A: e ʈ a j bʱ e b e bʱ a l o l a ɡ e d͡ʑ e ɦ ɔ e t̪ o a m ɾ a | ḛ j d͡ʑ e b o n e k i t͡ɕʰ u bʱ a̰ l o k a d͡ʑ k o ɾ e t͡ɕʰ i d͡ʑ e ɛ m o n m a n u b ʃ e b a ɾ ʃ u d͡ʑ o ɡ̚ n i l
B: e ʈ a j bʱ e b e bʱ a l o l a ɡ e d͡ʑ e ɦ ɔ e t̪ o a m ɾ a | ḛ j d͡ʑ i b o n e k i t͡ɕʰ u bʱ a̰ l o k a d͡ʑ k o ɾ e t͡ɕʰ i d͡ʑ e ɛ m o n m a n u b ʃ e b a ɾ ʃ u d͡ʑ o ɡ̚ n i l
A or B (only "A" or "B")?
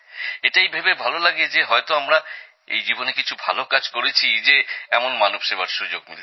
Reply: B